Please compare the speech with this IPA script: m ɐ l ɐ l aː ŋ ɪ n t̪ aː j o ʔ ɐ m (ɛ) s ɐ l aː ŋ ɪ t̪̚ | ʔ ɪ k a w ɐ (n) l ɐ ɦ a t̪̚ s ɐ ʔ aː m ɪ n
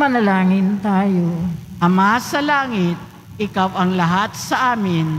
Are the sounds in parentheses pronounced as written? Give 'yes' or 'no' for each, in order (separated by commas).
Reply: no, no